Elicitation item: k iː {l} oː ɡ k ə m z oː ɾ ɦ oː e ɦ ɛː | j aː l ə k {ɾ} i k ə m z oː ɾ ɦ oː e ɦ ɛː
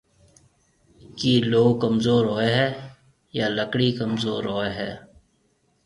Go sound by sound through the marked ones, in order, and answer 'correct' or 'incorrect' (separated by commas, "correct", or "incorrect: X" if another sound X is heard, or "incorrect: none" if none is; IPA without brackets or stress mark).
correct, incorrect: ɽ